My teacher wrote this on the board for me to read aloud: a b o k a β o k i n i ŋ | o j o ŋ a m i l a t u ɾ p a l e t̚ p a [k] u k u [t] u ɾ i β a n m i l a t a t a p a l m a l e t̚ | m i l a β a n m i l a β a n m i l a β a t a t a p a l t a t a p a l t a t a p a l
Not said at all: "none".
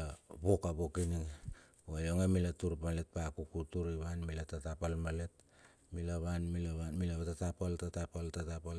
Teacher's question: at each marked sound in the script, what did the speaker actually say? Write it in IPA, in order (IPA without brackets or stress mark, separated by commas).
k, t